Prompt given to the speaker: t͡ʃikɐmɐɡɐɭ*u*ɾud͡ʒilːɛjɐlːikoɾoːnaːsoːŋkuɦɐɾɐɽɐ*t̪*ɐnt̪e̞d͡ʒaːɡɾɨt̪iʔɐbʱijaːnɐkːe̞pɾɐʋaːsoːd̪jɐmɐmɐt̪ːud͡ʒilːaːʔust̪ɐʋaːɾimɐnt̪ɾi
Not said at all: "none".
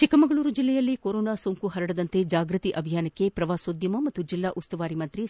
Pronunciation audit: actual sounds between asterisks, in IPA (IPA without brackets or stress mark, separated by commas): uː, d̪